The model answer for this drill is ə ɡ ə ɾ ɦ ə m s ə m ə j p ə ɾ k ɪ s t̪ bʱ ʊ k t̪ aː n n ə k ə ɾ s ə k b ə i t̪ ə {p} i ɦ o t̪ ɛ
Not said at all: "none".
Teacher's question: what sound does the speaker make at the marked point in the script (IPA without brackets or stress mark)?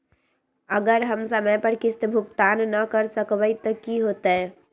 k